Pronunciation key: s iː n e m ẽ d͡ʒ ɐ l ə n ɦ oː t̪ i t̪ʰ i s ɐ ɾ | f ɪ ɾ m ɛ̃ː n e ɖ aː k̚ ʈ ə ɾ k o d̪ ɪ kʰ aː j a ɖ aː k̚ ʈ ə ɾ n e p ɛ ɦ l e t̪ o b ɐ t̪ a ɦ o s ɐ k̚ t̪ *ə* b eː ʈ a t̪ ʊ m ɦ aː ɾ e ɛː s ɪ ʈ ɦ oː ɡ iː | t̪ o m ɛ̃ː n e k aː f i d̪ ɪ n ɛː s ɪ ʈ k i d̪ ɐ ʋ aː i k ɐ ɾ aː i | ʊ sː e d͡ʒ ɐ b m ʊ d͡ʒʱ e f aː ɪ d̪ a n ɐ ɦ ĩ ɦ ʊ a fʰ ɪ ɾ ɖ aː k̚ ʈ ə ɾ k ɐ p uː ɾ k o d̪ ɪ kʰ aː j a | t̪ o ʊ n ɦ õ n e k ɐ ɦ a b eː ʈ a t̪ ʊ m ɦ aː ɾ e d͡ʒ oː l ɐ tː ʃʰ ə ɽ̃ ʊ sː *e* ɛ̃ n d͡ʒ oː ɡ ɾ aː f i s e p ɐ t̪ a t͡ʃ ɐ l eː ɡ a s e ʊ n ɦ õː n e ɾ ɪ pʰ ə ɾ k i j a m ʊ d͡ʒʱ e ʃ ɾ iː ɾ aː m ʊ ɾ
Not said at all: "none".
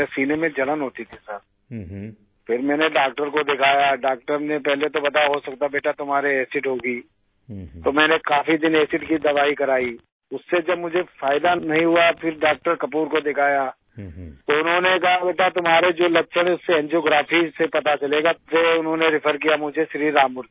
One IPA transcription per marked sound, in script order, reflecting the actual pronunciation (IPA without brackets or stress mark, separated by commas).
a, e